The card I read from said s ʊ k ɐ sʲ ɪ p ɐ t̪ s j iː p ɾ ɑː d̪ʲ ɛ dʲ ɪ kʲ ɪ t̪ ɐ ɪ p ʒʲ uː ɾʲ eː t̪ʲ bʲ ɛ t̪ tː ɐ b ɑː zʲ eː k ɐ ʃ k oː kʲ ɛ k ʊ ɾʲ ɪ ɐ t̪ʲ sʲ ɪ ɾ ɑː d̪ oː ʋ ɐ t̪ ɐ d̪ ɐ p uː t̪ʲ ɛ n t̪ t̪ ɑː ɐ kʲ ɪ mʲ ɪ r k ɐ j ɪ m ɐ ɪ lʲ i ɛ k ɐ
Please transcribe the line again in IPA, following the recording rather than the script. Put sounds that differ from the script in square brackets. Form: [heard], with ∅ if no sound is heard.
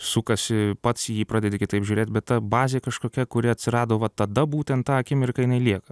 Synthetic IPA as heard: s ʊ k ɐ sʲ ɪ p ɐ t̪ s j iː p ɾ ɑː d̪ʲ ɛ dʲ ɪ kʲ ɪ t̪ ɐ ɪ p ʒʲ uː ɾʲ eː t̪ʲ bʲ ɛ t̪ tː ɐ b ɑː zʲ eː k ɐ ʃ k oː kʲ ɛ k ʊ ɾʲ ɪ ɐ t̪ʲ sʲ ɪ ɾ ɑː d̪ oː ʋ ɐ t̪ ɐ d̪ ɐ [b] uː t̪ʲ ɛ n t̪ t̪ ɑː ɐ kʲ ɪ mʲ ɪ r k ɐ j ɪ [n] ɐ ɪ lʲ i ɛ k ɐ